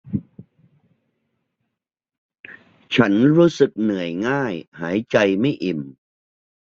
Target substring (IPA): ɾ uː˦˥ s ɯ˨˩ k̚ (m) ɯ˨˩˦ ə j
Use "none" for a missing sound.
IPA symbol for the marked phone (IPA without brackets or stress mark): n